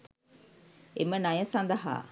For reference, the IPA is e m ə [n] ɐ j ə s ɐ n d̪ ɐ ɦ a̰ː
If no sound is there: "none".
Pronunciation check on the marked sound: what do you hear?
n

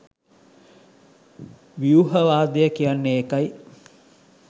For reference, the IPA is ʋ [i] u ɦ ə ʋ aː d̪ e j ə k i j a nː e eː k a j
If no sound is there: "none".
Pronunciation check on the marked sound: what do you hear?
i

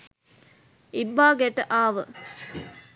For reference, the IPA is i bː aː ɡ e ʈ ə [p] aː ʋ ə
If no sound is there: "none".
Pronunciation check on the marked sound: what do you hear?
ʔ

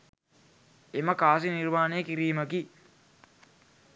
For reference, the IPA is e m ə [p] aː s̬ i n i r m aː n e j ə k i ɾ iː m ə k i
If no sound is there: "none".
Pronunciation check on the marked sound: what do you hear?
k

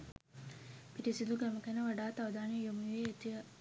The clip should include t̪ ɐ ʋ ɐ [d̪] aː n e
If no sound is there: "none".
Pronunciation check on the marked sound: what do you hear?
d̪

